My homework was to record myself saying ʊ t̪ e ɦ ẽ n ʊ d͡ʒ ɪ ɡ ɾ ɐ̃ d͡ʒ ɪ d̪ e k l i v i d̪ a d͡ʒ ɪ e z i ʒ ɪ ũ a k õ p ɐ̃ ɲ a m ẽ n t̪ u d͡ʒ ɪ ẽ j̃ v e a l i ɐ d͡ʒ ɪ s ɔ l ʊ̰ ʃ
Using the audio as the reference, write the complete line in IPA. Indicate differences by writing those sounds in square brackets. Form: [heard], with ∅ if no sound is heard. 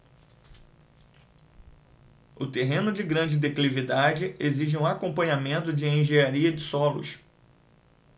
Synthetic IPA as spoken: ʊ t̪ e ɦ ẽ n ʊ d͡ʒ ɪ ɡ ɾ ɐ̃ d͡ʒ ɪ d̪ e k l i v i d̪ a d͡ʒ ɪ e z i ʒ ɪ ũ a k õ p ɐ̃ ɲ a m ẽ n t̪ [ʊ] d͡ʒ ɪ ẽ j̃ [ʒ] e a [ɾ] i ɐ d͡ʒ ɪ s ɔ l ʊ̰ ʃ